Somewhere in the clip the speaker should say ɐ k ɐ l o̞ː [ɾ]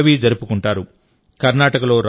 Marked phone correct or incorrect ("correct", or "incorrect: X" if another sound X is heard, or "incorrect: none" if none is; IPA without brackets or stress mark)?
correct